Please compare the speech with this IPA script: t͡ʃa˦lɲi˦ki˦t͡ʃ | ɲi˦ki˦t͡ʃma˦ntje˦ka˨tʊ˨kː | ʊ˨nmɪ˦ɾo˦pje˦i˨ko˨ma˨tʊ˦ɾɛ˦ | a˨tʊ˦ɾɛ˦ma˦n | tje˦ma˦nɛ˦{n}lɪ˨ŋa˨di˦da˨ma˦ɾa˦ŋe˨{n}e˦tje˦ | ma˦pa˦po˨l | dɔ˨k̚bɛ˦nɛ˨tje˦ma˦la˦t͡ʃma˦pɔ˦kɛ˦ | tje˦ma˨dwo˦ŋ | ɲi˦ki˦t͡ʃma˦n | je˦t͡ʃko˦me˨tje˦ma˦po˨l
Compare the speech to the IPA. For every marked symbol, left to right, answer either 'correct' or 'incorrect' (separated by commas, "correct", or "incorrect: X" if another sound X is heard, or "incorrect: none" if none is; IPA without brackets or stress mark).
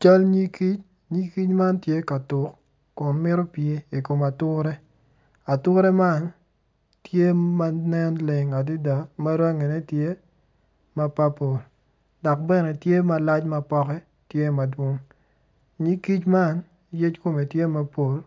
correct, correct